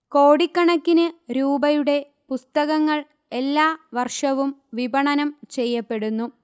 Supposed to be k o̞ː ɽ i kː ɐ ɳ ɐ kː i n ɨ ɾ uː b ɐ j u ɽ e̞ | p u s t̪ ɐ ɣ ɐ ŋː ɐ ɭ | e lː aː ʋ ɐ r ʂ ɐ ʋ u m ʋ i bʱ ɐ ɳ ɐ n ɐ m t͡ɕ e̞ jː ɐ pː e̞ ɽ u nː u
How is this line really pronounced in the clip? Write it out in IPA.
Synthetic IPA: k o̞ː ɽ i kː ɐ ɳ ɐ kː i n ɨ ɾ uː b ɐ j u ɽ e̞ | p u s t̪ ɐ ɣ ɐ ŋː ɐ ɭ | e lː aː ʋ ɐ r ʂ ɐ ʋ u m ʋ i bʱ ɐ ɳ ɐ n ɐ m t͡ɕ e̞ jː ɐ pː e̞ ɽ u nː u